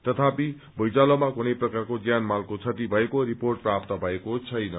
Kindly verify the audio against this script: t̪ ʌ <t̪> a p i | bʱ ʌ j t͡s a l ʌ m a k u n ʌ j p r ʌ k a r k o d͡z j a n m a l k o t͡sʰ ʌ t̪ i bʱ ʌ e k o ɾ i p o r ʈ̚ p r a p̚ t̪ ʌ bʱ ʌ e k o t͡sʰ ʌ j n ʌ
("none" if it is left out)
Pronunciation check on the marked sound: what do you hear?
t̪ʰ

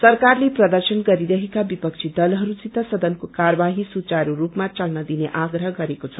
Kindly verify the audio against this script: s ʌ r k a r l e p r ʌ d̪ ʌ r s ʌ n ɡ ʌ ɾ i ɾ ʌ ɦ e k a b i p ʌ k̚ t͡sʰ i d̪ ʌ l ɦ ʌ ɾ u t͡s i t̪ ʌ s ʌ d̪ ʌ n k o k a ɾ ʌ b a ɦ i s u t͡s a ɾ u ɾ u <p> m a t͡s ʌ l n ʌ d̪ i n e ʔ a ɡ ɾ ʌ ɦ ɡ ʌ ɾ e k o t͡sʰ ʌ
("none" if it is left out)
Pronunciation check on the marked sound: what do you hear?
p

